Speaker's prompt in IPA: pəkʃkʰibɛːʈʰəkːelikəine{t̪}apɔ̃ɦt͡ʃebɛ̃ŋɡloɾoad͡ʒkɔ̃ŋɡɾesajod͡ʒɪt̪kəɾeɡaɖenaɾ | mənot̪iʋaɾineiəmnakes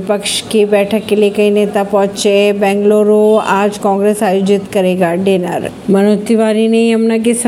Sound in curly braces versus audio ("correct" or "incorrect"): correct